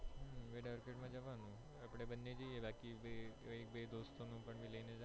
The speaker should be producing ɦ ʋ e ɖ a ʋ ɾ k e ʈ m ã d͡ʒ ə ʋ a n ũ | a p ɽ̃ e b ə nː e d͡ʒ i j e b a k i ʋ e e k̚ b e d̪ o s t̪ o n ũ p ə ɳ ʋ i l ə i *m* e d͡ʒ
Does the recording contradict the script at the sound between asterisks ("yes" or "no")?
yes